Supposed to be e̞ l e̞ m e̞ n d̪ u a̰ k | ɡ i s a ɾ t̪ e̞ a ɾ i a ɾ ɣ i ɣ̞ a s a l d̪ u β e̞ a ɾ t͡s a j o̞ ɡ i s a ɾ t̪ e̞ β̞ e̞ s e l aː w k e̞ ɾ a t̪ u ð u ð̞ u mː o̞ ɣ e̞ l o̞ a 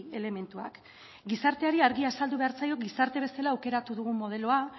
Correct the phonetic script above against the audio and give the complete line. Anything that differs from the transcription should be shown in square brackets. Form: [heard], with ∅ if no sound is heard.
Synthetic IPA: e̞ l e̞ m e̞ n [t̪] u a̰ k | ɡ i s a ɾ t̪ e̞ a ɾ i a ɾ ɣ i [∅] a s a l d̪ u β e̞ a ɾ t͡s a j o̞ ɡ i s a ɾ t̪ e̞ β̞ e̞ s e l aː w k e̞ ɾ a t̪ u ð u [ɣ̞] u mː o̞ [ð] e̞ l o̞ a